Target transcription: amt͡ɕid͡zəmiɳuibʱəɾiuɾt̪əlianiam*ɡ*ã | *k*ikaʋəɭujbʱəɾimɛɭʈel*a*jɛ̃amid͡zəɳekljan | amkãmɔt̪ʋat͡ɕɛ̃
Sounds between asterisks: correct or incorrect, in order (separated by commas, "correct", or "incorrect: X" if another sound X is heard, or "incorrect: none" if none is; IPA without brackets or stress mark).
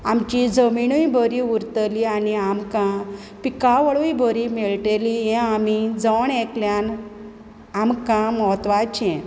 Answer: incorrect: k, incorrect: p, incorrect: i